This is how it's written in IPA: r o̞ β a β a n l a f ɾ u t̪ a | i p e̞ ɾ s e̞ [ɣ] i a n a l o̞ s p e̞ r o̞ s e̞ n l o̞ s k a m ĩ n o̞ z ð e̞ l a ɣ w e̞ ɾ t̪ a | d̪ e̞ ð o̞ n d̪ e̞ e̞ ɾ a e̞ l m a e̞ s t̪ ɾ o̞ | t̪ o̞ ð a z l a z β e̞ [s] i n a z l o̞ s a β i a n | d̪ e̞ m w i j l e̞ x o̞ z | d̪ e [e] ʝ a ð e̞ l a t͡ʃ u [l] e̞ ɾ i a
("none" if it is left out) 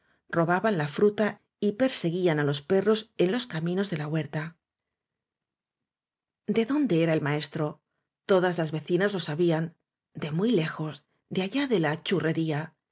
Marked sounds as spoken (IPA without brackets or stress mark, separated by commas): ɣ, θ, a, r